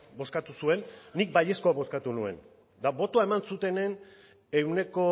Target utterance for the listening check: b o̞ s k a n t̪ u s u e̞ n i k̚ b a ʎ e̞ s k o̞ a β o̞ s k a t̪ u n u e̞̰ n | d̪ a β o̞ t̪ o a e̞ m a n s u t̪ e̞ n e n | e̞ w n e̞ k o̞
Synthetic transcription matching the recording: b o̞ s k a t̪ u s u e̞ nː i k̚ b a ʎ e̞ s k o̞ a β o̞ s k a t̪ u n u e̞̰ n | d̪ a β o̞ t̪ o a e̞ m a n s u t̪ e̞ n e n | e̞ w n e̞ k o̞